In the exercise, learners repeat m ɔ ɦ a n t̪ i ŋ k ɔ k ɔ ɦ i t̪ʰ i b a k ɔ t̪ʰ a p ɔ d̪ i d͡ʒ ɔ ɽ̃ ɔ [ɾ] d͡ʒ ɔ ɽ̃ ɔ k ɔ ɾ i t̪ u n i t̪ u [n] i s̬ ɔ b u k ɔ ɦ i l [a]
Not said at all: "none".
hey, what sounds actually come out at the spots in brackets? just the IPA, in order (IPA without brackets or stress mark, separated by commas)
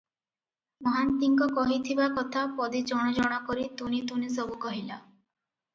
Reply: none, n, a